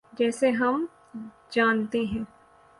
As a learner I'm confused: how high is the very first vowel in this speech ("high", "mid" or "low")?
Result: mid